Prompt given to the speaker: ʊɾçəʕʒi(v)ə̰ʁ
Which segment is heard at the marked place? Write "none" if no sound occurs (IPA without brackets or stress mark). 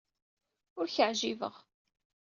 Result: v